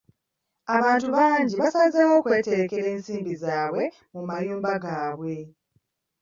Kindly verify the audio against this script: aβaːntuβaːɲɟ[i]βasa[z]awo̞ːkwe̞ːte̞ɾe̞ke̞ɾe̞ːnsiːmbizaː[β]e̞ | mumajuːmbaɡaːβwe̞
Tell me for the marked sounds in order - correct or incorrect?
correct, correct, incorrect

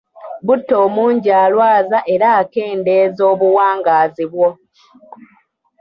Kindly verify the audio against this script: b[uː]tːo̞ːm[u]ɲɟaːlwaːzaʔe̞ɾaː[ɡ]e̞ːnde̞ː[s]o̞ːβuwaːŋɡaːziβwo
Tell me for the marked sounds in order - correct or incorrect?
incorrect, incorrect, incorrect, incorrect

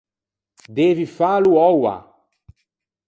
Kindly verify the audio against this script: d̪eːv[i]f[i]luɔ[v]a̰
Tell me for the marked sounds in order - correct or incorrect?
correct, incorrect, incorrect

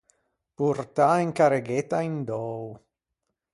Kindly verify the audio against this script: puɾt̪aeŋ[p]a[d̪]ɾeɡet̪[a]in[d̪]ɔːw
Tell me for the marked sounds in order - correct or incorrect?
incorrect, incorrect, correct, correct

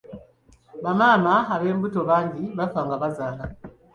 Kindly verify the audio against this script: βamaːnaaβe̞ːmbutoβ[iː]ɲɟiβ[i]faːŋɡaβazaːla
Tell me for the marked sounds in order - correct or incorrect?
incorrect, incorrect

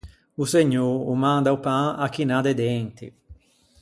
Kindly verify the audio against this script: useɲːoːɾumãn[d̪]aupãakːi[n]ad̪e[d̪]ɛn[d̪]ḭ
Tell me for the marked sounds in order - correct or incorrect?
correct, correct, correct, incorrect

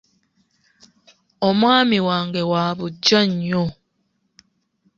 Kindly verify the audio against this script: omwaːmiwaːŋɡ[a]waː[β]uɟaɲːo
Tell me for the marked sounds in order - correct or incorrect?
incorrect, correct

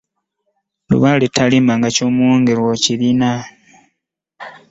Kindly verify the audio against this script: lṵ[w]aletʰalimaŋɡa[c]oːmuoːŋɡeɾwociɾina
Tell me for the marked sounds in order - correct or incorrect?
incorrect, correct

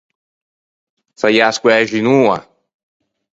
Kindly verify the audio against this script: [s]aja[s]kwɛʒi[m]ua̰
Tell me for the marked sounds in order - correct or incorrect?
correct, correct, incorrect

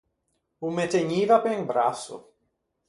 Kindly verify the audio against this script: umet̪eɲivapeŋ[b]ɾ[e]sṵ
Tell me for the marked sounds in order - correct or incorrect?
correct, incorrect

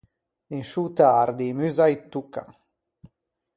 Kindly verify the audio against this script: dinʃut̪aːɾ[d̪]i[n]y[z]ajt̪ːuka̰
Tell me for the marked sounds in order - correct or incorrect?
correct, incorrect, correct

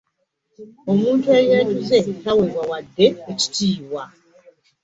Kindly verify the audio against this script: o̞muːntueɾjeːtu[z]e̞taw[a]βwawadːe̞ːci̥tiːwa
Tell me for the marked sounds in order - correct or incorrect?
correct, incorrect

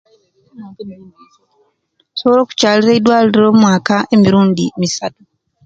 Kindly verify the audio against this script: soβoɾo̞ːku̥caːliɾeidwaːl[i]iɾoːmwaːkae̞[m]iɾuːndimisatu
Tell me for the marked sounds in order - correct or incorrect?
correct, correct

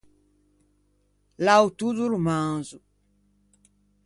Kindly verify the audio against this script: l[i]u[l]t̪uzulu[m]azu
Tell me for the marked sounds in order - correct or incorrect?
incorrect, incorrect, correct

